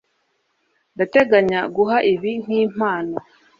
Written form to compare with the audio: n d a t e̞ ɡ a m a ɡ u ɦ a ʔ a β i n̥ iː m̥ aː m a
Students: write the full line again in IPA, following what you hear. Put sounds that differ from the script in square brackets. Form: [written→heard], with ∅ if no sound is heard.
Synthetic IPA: n d a t e̞ ɡ a [m→ɲ] a ɡ u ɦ a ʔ [a→i] β i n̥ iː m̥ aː [m→n] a